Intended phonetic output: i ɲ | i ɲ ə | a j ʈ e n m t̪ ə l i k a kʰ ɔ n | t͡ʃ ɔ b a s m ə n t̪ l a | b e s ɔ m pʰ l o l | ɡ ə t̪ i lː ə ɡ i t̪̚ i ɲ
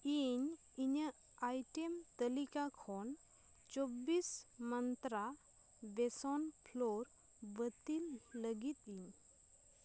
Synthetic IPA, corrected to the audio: i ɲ | i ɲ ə | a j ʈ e m t̪ ə l i k a kʰ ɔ n | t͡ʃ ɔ b i s m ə n t̪ ɾ a | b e s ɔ n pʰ l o ɾ | b ə t̪ i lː ə ɡ i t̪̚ i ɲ